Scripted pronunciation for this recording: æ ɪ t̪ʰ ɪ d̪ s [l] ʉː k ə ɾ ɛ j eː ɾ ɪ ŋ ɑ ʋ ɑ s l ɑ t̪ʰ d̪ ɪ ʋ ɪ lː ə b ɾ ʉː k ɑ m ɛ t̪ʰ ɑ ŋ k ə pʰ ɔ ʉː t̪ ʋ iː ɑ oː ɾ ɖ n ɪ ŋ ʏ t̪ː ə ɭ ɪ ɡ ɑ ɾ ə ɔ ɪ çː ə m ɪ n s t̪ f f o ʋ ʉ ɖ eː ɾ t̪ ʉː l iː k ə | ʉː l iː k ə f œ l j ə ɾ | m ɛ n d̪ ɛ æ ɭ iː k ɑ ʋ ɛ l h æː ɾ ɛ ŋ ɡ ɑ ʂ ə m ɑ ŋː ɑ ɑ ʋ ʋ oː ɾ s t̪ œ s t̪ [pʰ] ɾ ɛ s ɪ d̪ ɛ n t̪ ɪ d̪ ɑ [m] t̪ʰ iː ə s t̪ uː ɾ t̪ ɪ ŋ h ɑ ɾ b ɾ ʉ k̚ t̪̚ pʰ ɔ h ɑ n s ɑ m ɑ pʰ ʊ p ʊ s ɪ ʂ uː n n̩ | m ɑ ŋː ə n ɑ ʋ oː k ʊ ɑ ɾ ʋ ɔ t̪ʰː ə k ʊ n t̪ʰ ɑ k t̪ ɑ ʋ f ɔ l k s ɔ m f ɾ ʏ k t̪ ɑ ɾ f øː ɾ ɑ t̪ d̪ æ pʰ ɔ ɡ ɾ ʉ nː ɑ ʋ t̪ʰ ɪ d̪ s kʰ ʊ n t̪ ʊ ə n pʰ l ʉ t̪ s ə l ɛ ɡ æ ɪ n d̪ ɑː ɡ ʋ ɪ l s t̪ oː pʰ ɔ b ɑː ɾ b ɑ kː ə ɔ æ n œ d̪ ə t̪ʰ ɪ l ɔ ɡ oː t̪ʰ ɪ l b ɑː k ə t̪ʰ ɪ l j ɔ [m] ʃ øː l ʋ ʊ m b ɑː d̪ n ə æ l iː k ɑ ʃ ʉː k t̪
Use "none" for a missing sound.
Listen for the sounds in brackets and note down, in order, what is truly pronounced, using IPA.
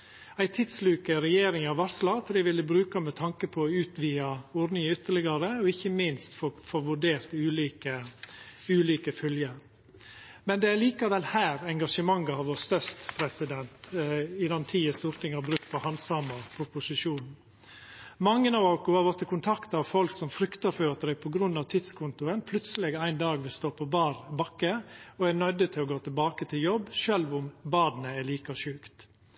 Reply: l, pʰ, n, b

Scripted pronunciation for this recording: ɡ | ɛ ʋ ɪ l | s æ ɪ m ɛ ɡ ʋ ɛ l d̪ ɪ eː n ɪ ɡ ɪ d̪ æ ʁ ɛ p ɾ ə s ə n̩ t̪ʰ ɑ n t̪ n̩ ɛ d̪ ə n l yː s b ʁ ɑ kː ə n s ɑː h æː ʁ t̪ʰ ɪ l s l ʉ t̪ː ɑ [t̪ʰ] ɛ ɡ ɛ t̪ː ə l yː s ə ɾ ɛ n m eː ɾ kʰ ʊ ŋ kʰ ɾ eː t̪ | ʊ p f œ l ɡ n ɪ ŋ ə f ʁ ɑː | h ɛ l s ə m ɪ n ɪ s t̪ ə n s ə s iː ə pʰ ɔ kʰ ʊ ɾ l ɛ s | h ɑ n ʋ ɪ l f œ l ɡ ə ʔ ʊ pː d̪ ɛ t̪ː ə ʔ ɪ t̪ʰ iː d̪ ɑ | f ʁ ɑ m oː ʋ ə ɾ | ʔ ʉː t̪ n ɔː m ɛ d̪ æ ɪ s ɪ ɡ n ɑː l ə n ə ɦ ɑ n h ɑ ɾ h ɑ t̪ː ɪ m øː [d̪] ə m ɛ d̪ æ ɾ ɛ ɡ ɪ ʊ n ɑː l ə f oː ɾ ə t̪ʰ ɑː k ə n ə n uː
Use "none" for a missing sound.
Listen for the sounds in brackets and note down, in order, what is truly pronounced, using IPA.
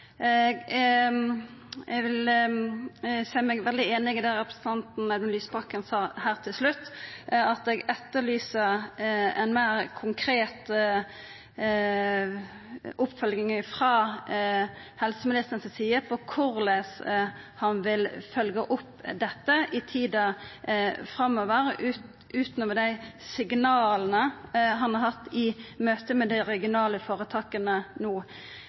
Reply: t̪, t̪

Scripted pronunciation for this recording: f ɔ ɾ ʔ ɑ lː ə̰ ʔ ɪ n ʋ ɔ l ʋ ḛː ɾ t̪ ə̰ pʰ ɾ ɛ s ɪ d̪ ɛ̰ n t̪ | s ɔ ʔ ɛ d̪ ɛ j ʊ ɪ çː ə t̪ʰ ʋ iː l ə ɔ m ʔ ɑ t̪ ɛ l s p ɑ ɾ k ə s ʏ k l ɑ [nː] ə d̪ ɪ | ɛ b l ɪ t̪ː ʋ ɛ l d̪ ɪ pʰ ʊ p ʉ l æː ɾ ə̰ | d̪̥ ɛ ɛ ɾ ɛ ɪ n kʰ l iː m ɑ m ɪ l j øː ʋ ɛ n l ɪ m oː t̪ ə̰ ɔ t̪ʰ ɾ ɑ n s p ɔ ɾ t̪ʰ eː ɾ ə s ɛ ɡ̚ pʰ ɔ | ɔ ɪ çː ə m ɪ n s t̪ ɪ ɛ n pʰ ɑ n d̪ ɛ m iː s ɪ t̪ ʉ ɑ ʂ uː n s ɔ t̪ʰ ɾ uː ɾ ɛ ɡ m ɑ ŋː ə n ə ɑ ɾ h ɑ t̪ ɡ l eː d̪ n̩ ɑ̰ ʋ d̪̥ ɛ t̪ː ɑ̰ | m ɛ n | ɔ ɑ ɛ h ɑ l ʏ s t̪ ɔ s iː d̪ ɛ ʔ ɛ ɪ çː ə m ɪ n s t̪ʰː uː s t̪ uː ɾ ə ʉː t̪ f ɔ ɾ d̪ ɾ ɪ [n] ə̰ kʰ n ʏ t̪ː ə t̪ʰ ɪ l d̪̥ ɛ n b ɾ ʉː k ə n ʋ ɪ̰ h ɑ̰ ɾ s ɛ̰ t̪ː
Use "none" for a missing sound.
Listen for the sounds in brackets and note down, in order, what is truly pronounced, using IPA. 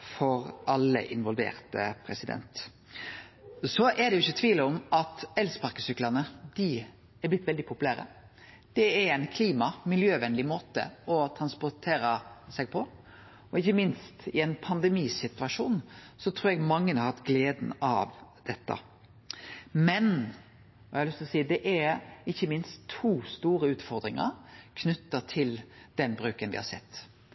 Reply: n, ŋ

